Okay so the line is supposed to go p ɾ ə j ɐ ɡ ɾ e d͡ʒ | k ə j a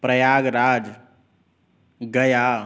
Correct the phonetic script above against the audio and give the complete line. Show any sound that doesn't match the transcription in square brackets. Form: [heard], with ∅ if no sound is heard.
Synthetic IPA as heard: p ɾ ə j [a] ɡ ɾ [a] d͡ʒ | [ɡ] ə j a